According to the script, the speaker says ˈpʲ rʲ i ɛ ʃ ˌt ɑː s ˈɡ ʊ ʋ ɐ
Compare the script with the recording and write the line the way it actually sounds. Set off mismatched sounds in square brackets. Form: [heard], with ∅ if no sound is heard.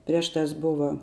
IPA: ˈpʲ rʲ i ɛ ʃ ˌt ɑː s [ˈb] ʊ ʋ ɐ